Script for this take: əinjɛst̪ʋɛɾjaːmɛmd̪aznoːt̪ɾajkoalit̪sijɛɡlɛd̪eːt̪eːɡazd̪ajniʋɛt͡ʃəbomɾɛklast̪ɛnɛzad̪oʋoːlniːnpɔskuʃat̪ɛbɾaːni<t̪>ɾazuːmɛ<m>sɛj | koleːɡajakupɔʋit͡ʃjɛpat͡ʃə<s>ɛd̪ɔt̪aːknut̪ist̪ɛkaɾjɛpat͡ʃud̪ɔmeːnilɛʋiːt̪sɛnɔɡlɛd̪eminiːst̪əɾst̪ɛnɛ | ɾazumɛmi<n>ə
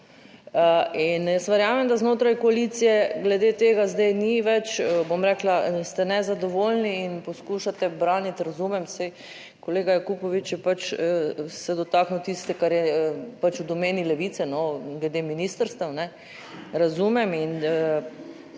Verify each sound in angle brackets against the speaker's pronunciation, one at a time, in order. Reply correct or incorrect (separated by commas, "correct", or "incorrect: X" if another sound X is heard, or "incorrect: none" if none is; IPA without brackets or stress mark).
correct, correct, correct, correct